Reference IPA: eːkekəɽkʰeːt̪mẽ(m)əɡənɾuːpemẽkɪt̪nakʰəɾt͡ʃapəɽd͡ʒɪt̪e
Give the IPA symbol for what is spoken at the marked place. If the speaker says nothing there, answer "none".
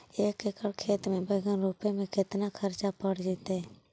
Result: b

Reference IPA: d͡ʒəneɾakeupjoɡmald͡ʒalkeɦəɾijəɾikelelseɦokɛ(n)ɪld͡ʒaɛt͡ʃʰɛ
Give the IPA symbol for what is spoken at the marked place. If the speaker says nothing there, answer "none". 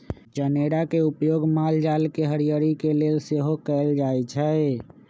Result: none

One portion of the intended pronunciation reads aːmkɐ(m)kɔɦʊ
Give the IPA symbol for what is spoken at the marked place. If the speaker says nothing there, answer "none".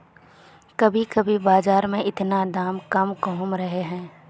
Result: m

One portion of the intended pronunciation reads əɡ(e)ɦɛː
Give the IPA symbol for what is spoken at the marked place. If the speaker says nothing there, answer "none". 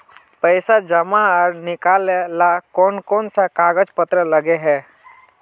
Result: e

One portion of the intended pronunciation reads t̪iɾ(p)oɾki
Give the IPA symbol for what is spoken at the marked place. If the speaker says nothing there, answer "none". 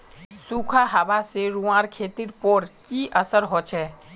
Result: p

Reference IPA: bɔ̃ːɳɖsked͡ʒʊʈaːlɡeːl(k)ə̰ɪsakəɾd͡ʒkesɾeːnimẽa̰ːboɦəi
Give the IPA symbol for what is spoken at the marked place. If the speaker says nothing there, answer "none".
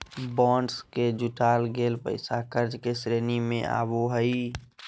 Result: p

